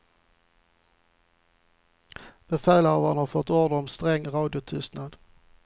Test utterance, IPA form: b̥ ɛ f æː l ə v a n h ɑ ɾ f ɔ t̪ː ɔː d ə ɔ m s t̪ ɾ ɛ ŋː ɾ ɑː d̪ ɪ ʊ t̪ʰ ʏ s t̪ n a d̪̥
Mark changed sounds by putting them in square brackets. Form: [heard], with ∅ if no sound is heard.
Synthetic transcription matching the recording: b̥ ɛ f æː l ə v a n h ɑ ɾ f ɔ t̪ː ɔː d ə ɔ m s t̪ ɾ ɛ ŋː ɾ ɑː d̪ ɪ ʊ t̪ʰ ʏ s t̪ n a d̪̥